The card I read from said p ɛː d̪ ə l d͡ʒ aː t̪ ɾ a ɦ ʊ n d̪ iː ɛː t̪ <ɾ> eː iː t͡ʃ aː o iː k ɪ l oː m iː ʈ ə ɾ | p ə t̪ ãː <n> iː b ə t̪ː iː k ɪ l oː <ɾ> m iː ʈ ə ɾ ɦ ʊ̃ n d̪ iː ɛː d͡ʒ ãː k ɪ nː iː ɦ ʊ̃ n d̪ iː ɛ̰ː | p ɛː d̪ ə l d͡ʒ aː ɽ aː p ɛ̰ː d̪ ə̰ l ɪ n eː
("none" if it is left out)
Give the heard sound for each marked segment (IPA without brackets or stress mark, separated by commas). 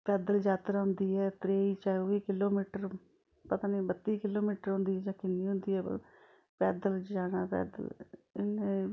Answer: ɾ, n, none